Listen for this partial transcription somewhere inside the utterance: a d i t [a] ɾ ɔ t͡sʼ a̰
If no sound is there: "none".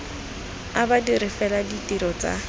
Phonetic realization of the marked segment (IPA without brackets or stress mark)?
i